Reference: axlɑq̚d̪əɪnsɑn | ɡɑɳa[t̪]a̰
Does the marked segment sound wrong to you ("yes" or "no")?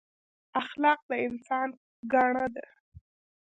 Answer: yes